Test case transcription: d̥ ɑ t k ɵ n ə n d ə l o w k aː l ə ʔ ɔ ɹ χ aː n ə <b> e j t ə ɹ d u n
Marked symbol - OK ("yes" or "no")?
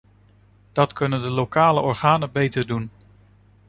yes